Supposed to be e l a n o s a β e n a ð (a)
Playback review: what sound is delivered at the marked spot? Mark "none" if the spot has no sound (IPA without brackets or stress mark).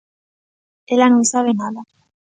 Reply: a